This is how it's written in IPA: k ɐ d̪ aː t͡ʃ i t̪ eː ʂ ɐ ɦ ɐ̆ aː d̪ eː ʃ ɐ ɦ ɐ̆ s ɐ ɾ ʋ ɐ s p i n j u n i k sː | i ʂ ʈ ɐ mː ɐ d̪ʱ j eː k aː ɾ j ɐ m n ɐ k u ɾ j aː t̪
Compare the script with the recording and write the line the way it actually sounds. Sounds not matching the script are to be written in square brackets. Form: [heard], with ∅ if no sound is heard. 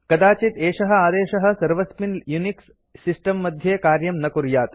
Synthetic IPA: k ɐ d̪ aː t͡ʃ i t̪ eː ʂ ɐ ɦ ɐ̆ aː d̪ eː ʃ ɐ ɦ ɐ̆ s ɐ ɾ ʋ ɐ s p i n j u n i k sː | i [s] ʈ ɐ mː ɐ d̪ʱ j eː k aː ɾ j ɐ m n ɐ k u ɾ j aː t̪